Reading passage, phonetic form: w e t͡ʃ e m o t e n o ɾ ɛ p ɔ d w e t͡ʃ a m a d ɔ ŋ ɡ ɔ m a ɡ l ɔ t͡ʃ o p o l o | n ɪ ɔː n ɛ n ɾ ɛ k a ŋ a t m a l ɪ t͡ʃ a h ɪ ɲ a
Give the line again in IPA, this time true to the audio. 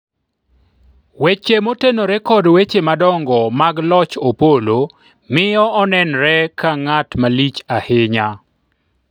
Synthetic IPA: w e t͡ʃ e m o t e n o ɾ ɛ k ɔ d w e t͡ʃ e m a d ɔ ŋ ɡ ɔ m a ɡ l ɔ t͡ʃ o p o l o | m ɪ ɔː n ɛ n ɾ ɛ k a ŋ a t m a l i t͡ʃ a h ɪ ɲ a